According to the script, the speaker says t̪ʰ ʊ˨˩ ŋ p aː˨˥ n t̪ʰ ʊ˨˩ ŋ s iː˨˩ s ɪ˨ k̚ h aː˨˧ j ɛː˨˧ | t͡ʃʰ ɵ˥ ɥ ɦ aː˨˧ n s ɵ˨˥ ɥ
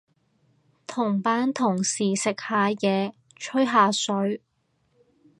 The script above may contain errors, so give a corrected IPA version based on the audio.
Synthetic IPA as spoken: t̪ʰ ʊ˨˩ ŋ p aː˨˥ n t̪ʰ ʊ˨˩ ŋ s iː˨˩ s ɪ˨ k̚ h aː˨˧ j ɛː˨˧ | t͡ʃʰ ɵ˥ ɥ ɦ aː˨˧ s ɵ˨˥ ɥ